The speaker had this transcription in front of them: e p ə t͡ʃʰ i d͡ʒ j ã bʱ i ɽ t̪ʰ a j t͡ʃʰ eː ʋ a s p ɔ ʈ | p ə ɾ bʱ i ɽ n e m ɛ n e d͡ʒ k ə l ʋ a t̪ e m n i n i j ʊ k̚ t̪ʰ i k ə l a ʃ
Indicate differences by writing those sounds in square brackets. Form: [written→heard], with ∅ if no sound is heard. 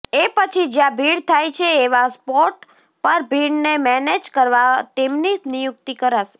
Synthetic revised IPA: e p ə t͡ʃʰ i d͡ʒ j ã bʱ i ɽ t̪ʰ a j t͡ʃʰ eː ʋ a s p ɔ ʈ | p ə ɾ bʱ i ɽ n e m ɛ n e d͡ʒ k ə [l→ɾ] ʋ a t̪ e m n i n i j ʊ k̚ [t̪ʰ→t̪] i k ə [l→ɾ] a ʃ